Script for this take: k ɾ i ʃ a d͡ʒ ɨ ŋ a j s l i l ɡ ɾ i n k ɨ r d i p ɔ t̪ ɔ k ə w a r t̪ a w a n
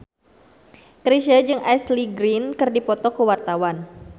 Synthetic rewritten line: k ɾ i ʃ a d͡ʒ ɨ ŋ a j s l i ɡ ɾ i n k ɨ r d i p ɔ t̪ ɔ k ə w a r t̪ a w a n